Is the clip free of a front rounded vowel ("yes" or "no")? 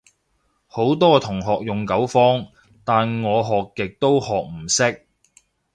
yes